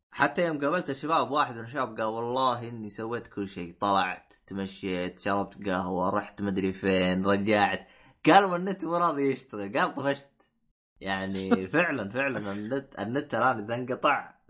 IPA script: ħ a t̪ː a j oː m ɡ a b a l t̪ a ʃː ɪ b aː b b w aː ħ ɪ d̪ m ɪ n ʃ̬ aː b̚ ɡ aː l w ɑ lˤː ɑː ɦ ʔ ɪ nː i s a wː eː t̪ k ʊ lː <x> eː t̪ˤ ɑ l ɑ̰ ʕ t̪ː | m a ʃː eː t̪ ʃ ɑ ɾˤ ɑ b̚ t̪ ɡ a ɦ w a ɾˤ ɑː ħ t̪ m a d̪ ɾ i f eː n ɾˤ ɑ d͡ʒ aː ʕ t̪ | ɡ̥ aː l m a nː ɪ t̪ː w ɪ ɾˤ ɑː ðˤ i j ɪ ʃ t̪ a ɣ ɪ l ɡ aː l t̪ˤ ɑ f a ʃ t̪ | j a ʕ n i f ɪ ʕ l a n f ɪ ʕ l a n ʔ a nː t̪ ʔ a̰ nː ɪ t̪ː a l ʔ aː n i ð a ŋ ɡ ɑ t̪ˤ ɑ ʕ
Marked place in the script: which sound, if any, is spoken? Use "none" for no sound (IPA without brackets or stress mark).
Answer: ʃ